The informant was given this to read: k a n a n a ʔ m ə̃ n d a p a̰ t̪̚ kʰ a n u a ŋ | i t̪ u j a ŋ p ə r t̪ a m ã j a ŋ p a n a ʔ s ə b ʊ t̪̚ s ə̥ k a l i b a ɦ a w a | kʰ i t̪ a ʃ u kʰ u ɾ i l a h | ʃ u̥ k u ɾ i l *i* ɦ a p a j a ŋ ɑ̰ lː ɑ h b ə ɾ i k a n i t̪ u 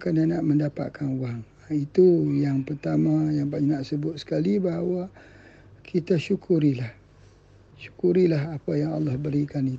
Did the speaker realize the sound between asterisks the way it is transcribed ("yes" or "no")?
no